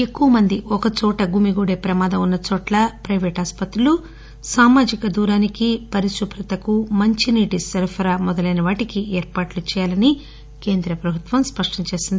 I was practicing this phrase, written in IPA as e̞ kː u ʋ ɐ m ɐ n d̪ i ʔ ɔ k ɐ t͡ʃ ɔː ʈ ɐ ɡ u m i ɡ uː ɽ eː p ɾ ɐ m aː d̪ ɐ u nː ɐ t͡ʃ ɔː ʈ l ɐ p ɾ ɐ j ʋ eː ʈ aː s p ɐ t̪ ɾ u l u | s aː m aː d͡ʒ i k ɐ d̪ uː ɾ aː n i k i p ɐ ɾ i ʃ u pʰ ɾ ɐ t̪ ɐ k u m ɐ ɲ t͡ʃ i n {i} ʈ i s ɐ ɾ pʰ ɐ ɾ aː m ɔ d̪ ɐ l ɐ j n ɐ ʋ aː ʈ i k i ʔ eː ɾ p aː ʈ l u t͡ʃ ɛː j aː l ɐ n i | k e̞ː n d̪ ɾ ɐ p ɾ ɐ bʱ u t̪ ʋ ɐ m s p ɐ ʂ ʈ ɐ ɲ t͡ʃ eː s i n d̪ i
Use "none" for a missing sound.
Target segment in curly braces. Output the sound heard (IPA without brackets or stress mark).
iː